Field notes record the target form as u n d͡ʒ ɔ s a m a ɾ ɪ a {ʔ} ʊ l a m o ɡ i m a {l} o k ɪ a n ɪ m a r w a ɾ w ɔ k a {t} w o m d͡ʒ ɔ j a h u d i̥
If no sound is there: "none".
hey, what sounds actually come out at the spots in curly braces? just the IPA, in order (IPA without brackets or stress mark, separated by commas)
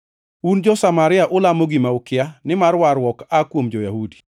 ʔ, none, k